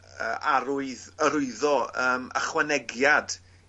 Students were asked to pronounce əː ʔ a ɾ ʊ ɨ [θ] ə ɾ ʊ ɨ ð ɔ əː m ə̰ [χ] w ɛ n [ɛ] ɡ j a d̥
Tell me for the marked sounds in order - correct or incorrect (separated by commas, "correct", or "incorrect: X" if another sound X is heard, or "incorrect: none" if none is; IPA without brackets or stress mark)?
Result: incorrect: ð, correct, correct